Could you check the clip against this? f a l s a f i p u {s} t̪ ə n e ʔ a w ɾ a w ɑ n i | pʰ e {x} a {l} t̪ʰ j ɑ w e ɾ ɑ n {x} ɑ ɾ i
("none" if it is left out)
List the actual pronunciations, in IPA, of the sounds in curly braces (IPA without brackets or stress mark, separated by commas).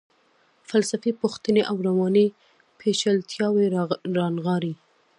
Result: x, ʃ, l, ɣ